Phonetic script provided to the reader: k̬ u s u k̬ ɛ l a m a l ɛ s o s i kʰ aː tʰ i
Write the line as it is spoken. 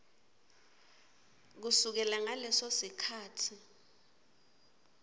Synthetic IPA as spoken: k̬ u s u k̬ ɛ l a ŋ a l ɛ s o s i kʰ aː tʰ i